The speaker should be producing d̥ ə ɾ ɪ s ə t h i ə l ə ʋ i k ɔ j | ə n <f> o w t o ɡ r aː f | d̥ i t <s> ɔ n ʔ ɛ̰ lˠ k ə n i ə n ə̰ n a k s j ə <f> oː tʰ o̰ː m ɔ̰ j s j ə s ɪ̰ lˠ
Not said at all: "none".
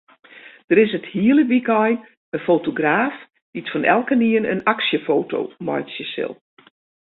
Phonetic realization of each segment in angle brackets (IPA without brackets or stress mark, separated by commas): f, f, f